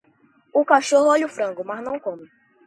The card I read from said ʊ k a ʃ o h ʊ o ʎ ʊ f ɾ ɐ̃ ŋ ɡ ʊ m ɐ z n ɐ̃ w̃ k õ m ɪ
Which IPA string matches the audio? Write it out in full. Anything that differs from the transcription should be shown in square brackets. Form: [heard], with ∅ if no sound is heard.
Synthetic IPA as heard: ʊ k a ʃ o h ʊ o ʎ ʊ f ɾ ɐ̃ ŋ ɡ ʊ m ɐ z n ɐ̃ w̃ k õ m ɪ